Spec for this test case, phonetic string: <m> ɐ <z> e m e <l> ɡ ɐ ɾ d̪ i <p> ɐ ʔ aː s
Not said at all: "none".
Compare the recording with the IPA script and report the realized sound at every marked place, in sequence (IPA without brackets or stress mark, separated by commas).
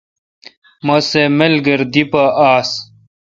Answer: m, s, l, p